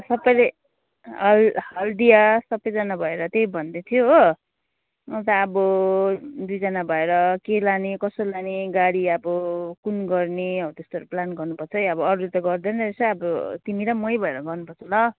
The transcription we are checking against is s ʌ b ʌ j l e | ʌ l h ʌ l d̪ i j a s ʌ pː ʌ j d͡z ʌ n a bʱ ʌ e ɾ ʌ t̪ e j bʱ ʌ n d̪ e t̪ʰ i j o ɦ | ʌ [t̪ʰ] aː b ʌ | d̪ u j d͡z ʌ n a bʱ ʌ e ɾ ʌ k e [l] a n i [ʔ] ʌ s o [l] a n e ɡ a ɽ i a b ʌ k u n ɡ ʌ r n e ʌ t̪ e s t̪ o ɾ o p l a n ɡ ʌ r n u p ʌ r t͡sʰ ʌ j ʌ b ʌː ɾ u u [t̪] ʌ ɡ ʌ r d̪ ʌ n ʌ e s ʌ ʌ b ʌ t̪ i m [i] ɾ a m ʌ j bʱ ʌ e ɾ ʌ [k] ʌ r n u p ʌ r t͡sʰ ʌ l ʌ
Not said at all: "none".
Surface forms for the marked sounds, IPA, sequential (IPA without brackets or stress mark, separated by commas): t̪, l, k, l, t̪, i, ɡ